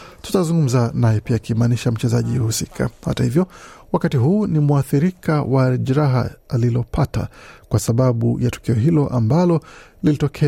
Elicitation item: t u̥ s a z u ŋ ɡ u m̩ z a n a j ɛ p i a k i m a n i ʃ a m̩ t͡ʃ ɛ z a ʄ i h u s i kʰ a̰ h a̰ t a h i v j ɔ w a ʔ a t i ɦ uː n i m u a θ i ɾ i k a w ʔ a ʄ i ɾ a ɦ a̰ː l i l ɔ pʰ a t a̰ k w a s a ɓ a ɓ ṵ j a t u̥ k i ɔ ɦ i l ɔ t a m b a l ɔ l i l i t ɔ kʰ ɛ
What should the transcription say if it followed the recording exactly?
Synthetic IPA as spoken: t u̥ t a z u ŋ ɡ u m̩ z a n a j ɛ p i a k i m a n i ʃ a m̩ t͡ʃ ɛ z a ʄ i h u s i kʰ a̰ h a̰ t a h i v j ɔ w a k a t i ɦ uː n i m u a θ i ɾ i k a w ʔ a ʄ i ɾ a ɦ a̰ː l i l ɔ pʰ a t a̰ k w a s a ɓ a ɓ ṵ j a t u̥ k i ɔ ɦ i l ɔ ʔ a m b a l ɔ l i l i t ɔ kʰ ɛ